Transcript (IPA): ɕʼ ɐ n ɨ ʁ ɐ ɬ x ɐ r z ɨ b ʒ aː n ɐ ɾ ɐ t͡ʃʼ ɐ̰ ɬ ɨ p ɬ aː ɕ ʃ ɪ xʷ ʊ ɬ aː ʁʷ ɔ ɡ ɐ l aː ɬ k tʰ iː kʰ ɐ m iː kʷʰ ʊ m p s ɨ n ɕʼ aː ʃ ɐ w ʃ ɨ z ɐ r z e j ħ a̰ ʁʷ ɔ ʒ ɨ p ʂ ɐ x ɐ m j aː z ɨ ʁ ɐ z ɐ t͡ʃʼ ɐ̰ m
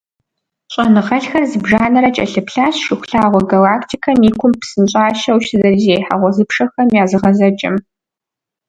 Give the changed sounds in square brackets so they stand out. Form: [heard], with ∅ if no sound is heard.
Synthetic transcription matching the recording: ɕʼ ɐ n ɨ ʁ ɐ ɬ x ɐ r z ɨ b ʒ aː n ɐ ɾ ɐ t͡ʃʼ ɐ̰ ɬ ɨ p ɬ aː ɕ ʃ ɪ xʷ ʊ ɬ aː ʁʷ ɔ ɡ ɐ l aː [∅] k tʰ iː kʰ ɐ m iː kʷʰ ʊ m p s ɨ n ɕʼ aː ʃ ɐ w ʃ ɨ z ɐ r z e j ħ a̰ ʁʷ ɔ [z] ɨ p ʂ ɐ x ɐ m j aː z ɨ ʁ ɐ z ɐ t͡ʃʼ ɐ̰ m